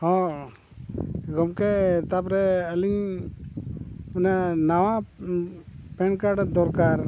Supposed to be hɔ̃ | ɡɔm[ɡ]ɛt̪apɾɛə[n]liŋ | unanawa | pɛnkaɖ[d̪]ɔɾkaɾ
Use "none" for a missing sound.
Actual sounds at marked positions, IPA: k, none, d̪

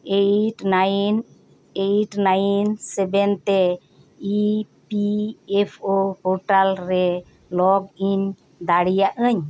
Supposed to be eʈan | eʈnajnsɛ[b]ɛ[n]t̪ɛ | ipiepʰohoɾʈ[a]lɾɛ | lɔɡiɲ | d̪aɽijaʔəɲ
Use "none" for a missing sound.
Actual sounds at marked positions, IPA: b, n, a

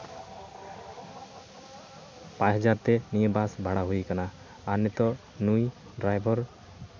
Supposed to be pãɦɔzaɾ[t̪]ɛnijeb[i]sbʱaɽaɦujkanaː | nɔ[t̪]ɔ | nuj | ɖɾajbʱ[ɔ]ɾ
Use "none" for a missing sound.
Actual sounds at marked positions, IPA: t̪, a, t̪, ɔ

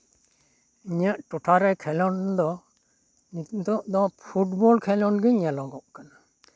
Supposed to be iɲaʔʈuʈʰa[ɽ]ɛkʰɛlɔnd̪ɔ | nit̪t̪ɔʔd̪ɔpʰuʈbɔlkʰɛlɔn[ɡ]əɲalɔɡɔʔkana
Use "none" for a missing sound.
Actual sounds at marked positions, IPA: ɾ, ɡ

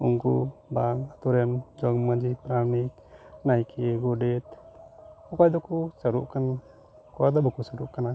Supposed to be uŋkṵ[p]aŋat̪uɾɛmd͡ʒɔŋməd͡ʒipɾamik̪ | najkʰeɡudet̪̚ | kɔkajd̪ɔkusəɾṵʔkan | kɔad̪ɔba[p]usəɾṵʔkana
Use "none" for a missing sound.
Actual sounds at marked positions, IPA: b, k

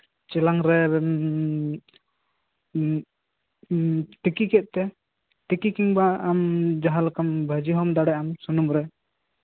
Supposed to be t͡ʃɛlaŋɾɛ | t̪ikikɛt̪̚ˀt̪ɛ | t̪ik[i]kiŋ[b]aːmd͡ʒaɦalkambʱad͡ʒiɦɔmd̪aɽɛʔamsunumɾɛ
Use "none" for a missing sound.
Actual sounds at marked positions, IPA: i, b

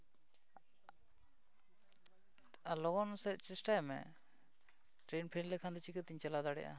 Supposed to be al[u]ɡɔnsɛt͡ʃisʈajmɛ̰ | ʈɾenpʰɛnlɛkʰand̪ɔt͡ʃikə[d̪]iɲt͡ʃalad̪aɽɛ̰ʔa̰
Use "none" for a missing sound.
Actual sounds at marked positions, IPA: ɔ, t̪

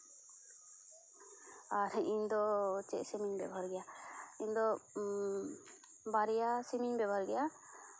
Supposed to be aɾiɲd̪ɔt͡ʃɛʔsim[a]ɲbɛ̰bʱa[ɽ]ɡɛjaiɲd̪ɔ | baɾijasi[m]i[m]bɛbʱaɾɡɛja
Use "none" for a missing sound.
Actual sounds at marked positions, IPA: i, ɾ, m, ɲ

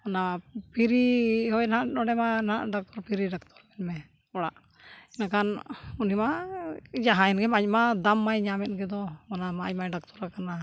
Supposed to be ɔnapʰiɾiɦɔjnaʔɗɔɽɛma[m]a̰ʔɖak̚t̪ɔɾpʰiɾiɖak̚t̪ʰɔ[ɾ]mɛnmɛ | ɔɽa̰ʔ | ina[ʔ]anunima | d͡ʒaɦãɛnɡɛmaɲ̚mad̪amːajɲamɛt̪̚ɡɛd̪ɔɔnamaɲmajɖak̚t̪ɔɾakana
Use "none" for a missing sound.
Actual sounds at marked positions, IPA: n, ɾ, k

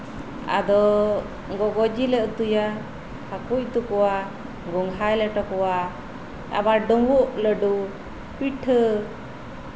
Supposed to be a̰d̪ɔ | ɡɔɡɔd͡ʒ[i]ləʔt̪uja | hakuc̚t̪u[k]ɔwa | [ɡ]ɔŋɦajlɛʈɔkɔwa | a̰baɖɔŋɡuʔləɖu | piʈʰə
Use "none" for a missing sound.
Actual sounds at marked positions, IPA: i, k, ɡ

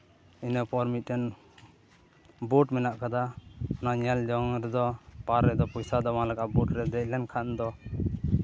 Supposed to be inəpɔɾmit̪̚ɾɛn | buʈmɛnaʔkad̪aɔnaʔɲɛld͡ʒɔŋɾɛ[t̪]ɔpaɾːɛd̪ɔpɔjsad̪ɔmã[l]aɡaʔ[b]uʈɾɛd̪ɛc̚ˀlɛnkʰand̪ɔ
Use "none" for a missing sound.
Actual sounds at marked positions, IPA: d̪, l, b

